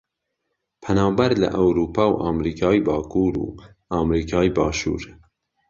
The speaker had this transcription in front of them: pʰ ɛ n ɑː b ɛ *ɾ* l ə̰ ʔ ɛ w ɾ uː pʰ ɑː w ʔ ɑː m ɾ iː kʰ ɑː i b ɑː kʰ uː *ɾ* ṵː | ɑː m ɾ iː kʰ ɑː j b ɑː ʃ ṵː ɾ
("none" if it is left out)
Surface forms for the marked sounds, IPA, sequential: ɾ, ɾ

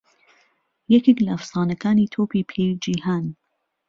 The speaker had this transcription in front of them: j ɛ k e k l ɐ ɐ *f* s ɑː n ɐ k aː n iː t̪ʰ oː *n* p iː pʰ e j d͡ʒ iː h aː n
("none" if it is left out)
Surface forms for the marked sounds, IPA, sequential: f, none

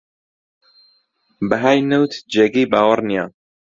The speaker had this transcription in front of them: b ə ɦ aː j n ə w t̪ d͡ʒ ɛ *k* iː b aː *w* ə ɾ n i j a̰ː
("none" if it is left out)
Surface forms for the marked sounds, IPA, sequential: ɡ, w

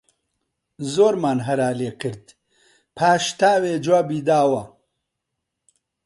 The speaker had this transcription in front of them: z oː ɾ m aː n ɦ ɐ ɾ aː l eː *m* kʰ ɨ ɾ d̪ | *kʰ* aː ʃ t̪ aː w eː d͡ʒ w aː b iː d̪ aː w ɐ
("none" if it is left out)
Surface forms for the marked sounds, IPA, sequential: none, pʰ

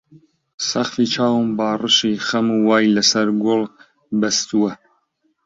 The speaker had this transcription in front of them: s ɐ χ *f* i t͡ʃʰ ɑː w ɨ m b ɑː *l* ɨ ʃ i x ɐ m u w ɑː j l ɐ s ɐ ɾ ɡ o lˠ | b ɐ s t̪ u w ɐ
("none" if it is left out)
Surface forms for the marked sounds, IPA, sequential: f, r

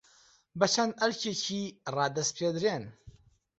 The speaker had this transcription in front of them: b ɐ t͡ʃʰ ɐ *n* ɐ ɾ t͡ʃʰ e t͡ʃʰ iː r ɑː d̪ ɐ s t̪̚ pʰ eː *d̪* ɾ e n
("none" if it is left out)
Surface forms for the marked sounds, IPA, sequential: n, d̪

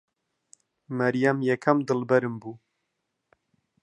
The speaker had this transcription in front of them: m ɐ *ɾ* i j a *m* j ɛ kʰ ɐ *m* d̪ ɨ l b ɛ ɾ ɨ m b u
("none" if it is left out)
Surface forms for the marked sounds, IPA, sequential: ɾ, m, m

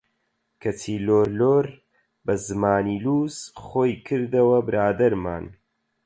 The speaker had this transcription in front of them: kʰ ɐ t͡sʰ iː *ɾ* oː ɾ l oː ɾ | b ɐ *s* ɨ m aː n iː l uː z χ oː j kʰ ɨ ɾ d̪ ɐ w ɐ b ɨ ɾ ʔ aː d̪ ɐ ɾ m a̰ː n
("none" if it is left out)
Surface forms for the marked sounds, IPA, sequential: l, z

